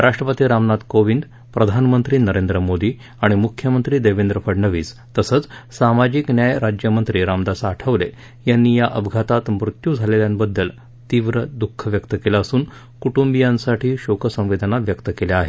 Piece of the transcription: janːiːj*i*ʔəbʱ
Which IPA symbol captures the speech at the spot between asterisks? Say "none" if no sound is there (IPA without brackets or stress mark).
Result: a